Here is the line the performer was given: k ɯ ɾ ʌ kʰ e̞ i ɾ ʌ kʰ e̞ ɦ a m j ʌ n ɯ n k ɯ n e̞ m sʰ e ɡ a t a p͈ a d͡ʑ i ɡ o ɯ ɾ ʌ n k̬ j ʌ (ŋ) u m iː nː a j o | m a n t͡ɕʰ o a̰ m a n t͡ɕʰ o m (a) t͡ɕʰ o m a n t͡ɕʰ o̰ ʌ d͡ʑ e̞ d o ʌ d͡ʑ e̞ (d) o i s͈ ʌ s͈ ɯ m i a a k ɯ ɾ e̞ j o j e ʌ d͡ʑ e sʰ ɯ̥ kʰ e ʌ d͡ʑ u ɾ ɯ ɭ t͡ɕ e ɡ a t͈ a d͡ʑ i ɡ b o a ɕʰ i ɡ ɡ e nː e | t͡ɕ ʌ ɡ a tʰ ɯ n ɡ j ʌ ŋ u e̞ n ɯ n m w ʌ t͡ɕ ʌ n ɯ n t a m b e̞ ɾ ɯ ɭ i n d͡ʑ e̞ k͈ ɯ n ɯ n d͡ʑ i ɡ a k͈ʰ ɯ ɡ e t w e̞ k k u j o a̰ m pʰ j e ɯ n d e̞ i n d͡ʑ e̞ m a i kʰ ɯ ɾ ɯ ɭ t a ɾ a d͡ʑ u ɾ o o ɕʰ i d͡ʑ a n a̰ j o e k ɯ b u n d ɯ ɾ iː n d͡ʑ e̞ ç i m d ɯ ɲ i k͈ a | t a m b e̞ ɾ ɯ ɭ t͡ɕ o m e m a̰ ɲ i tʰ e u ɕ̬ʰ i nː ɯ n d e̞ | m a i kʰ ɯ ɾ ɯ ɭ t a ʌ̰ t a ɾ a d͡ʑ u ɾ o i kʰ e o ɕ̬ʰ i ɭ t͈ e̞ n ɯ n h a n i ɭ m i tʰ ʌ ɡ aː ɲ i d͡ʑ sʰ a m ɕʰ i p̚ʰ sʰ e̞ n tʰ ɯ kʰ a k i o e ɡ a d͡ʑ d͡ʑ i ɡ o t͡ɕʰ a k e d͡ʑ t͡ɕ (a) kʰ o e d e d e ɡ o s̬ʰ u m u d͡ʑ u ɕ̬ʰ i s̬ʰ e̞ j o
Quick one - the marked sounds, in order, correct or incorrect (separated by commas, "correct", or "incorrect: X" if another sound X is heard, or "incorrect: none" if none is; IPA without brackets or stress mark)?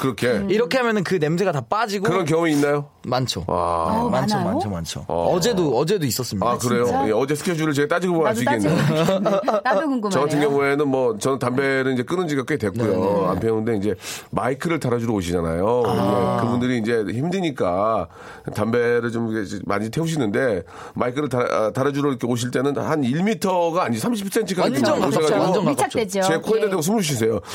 correct, correct, correct, incorrect: e